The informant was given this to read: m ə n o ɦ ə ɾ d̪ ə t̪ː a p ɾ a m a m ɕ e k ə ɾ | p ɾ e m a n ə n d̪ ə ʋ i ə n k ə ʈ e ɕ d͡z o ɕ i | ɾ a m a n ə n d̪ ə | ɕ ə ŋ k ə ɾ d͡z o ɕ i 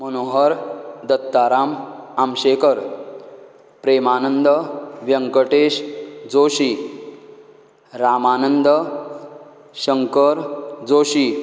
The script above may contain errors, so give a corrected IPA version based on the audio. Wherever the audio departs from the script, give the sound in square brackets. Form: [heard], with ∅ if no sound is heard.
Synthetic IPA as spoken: m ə n o ɦ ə ɾ d̪ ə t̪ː a [∅] ɾ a m a m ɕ e k ə ɾ | p ɾ e m a n ə n d̪ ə ʋ [j] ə [ŋ] k ə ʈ e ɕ d͡z o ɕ i | ɾ a m a n ə n d̪ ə | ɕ ə ŋ k ə ɾ d͡z o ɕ i